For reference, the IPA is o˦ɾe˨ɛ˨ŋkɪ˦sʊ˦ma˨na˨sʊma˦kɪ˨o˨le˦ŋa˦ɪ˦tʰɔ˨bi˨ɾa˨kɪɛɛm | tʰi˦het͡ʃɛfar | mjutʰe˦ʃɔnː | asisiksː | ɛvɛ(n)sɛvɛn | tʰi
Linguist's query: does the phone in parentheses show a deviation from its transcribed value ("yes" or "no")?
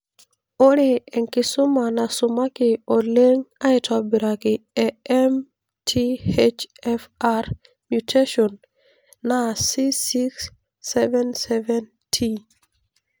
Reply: no